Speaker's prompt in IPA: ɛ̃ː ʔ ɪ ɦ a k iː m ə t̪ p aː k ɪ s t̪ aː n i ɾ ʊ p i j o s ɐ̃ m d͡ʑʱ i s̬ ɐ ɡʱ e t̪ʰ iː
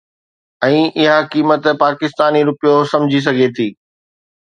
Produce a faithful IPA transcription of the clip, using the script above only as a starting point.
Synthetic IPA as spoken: ɛ̃ː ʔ ɪ ɦ a k iː m ə t̪ p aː k ɪ s t̪ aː n i ɾ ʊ p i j o s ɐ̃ m d͡ʑʱ i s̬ ɐ ɡʱ e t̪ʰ iː